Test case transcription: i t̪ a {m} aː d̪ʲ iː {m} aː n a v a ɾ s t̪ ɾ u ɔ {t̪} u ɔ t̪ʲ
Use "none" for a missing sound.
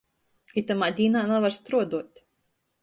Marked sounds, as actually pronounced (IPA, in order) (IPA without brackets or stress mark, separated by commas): m, n, d̪